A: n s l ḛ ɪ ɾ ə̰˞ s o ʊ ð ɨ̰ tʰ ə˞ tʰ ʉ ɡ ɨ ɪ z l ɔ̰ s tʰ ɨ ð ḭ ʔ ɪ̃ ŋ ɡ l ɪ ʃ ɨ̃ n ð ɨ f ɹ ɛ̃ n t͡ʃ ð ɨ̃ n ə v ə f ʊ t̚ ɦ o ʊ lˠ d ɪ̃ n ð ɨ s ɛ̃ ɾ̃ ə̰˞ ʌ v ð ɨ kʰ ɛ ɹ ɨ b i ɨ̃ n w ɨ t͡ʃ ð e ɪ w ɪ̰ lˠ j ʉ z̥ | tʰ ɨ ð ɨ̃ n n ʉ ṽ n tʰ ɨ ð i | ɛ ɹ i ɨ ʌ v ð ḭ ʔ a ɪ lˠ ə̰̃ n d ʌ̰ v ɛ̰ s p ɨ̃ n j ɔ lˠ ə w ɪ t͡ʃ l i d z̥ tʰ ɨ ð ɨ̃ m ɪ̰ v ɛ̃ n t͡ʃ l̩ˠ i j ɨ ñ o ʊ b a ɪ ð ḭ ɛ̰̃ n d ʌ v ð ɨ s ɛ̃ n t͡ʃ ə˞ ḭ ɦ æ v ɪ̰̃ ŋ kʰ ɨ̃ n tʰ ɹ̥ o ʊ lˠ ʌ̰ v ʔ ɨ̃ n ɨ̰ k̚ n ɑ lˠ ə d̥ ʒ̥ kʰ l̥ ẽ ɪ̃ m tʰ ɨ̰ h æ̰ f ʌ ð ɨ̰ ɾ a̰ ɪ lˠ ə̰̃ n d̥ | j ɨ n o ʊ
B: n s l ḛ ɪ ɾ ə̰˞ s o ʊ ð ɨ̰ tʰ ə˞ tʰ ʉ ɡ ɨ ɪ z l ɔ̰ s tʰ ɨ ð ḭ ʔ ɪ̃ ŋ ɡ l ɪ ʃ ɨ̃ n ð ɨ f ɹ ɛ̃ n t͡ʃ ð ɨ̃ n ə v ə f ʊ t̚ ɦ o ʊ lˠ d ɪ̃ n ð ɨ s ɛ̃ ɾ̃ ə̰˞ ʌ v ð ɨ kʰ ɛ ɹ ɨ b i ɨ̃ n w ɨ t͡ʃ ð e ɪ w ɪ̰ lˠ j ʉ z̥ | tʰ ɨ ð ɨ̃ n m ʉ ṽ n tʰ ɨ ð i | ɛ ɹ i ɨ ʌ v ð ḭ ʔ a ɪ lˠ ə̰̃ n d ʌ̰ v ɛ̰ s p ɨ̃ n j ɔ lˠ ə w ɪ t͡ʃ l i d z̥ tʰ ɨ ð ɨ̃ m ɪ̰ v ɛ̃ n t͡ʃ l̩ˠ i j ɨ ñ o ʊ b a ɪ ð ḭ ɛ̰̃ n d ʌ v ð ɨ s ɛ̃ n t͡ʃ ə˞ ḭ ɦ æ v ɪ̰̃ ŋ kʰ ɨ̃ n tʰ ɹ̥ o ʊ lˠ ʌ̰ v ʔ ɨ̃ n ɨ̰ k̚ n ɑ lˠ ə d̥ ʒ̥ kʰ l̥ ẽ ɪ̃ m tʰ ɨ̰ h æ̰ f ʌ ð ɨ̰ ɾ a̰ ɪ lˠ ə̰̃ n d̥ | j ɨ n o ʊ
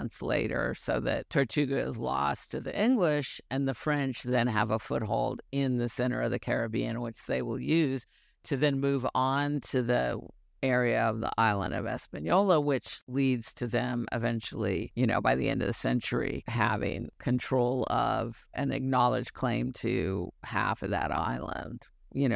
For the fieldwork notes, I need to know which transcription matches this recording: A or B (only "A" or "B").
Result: B